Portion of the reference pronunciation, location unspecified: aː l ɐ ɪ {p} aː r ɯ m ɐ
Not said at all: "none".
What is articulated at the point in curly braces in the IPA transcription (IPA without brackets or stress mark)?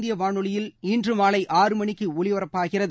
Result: ʔ